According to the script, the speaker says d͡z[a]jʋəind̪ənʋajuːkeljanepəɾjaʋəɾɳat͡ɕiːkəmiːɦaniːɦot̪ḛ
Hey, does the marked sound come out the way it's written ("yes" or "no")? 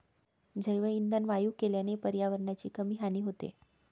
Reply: no